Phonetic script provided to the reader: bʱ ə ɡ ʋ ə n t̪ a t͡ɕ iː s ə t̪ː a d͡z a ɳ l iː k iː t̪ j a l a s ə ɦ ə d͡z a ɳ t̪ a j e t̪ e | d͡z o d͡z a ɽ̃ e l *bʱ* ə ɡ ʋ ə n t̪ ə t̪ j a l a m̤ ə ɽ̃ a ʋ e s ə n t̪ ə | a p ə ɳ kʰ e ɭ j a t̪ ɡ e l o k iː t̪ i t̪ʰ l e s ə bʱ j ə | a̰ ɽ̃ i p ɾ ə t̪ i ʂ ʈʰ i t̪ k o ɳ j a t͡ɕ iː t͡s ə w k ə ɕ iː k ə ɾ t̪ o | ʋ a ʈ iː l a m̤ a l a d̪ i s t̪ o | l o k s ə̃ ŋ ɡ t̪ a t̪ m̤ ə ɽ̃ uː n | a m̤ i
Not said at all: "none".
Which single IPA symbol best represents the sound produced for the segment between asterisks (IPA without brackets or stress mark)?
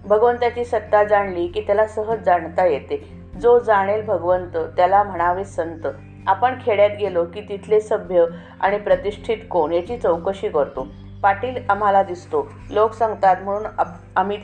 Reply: bʱ